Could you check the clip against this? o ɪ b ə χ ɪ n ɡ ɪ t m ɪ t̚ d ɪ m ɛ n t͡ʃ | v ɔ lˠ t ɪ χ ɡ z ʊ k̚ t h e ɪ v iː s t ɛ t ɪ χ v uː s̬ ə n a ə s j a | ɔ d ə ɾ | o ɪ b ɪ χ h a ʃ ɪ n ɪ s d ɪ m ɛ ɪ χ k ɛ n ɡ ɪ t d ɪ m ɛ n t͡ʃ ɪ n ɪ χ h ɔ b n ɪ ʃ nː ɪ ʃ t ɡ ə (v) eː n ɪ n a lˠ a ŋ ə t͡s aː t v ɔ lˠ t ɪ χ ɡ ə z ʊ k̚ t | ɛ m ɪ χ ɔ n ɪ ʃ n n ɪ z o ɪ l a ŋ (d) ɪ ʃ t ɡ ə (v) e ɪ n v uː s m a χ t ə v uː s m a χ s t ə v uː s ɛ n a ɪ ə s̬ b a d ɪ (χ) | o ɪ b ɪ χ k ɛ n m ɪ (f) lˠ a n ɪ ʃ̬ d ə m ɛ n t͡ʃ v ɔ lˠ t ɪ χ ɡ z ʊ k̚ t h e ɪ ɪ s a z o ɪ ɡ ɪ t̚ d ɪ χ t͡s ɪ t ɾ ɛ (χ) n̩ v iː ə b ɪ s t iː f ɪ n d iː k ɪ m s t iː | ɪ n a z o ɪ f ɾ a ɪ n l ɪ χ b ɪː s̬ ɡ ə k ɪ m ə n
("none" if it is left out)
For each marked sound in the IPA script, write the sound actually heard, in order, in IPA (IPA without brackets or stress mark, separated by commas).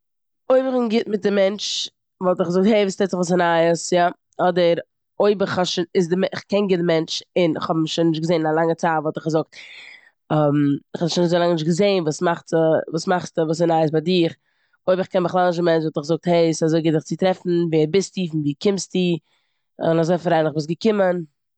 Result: z, n, z, χ, χ, f